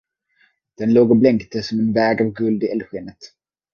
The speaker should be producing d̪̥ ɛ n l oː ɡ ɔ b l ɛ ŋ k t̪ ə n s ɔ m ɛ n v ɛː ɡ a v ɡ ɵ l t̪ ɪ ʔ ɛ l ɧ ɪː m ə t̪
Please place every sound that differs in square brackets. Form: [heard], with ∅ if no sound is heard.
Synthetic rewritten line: d̪̥ ɛ n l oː ɡ ɔ b l ɛ ŋ k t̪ ə [∅] s ɔ m ɛ n v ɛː ɡ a v ɡ ɵ l [d̪] ɪ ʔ ɛ l ɧ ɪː [n] ə t̪